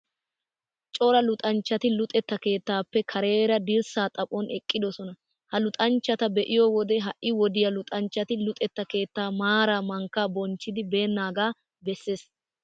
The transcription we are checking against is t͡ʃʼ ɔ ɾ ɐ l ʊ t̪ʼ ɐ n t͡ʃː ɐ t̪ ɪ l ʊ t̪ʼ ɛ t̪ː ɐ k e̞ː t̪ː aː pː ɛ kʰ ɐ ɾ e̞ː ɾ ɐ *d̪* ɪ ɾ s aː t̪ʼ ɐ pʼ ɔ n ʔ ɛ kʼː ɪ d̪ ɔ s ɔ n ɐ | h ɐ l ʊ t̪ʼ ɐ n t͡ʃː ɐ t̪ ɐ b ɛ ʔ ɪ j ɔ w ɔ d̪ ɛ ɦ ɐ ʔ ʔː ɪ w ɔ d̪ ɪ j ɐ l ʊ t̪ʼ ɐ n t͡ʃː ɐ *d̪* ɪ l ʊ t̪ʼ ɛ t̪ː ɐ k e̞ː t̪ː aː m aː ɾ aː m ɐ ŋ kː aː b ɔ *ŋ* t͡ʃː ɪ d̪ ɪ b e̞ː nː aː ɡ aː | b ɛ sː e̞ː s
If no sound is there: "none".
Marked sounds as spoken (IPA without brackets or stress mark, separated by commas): d̪, t̪, n